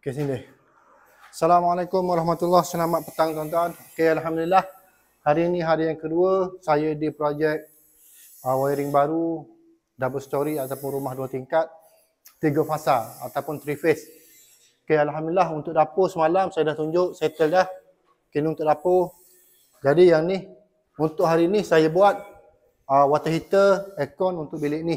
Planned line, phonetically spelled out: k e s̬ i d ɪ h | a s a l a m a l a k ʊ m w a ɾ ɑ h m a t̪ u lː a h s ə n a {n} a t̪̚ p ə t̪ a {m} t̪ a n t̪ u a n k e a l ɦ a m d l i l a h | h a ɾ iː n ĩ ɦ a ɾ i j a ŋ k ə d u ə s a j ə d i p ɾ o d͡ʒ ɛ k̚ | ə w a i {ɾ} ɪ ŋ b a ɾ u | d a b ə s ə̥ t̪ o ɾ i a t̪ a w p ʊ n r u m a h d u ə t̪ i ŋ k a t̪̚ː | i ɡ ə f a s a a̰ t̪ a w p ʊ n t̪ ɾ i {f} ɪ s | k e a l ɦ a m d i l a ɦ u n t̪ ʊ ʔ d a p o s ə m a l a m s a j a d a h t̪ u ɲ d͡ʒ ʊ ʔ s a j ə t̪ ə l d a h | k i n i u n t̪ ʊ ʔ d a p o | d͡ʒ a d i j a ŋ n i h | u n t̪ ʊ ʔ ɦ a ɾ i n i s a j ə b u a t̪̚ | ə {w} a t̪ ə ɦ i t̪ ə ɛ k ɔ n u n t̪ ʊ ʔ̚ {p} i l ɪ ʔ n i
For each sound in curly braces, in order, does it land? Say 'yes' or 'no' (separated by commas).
no, no, yes, yes, yes, no